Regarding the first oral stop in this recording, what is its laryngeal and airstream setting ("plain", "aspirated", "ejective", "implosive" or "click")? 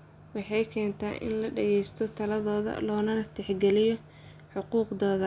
aspirated